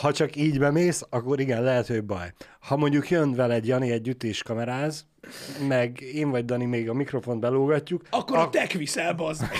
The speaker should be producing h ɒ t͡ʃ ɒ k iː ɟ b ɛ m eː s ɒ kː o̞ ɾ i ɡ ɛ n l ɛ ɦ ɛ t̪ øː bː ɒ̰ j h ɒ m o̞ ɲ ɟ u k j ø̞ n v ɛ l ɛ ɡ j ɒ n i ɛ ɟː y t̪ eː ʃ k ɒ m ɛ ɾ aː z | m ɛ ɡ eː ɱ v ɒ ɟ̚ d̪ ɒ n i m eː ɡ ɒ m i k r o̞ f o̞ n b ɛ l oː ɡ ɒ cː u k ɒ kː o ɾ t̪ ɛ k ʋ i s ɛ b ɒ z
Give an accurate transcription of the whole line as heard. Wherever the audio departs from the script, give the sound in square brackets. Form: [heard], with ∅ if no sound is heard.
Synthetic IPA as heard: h ɒ t͡ʃ ɒ k iː ɟ b ɛ m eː s ɒ kː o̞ ɾ i ɡ ɛ n l ɛ ɦ ɛ t̪ øː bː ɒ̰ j h ɒ m o̞ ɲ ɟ u k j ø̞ n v ɛ l ɛ [ɟ] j ɒ n i ɛ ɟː y t̪ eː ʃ k ɒ m ɛ ɾ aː z | m ɛ ɡ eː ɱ v ɒ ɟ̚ d̪ ɒ n i m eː ɡ ɒ m i k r o̞ f o̞ n b ɛ l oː ɡ ɒ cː u k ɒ kː o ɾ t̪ ɛ k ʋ i s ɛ b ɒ z